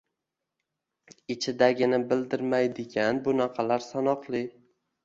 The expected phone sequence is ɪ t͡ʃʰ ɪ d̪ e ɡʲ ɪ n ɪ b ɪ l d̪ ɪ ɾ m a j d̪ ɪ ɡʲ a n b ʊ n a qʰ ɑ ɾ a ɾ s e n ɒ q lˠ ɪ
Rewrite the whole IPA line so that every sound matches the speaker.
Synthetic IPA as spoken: ɪ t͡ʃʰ ɪ d̪ a ɡʲ ɪ n ɪ b ɪ l d̪ ɪ ɾ m a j d̪ ɪ ɡʲ a n b ʊ n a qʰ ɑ l a ɾ s a n ɒ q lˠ ɪ